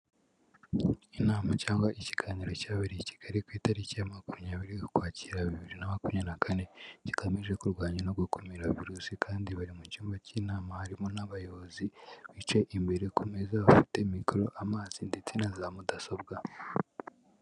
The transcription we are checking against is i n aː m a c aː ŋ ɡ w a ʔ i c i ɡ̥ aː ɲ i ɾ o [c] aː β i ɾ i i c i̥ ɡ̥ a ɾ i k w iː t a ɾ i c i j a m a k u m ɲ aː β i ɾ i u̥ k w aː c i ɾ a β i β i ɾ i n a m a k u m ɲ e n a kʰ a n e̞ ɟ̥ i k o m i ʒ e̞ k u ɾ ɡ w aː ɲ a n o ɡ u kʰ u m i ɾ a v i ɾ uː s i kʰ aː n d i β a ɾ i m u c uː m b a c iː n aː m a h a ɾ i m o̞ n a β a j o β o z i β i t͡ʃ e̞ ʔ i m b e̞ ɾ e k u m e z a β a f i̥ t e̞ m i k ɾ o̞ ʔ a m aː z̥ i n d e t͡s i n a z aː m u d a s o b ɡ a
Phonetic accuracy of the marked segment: correct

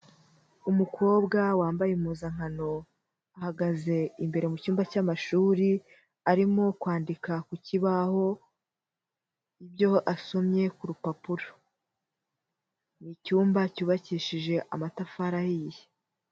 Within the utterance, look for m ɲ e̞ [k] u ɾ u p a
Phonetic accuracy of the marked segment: correct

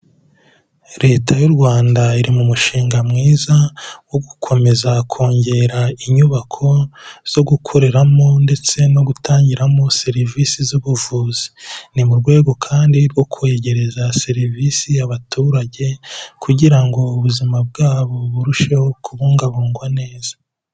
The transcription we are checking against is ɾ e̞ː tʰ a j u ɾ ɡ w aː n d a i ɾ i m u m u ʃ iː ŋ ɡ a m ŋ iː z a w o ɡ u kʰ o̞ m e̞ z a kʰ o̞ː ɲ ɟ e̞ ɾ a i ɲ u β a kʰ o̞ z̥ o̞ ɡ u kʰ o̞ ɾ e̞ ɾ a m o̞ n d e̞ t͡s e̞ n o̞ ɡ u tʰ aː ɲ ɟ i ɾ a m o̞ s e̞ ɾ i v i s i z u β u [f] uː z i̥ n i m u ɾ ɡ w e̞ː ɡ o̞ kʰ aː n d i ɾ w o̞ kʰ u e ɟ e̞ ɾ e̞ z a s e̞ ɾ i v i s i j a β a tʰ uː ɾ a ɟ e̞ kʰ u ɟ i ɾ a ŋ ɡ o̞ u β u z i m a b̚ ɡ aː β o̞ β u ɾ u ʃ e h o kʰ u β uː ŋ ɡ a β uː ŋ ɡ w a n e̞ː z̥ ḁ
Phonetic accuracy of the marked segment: incorrect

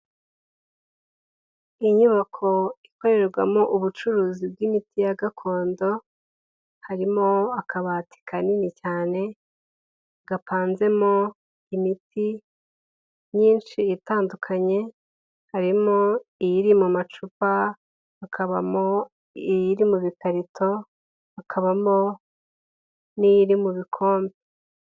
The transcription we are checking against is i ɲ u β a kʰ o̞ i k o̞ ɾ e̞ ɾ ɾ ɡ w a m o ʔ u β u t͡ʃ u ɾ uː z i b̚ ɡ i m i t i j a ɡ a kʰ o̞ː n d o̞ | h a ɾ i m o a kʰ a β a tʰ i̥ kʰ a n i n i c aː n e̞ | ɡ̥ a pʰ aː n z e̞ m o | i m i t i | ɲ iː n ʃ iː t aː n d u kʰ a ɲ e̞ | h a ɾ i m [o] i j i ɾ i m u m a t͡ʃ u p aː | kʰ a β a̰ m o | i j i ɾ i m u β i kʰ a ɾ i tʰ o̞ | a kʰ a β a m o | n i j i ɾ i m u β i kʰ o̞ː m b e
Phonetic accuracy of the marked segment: correct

